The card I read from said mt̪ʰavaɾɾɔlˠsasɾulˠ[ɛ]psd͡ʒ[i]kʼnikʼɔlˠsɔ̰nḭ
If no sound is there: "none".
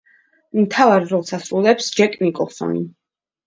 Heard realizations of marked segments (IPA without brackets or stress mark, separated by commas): ɛ, ɛ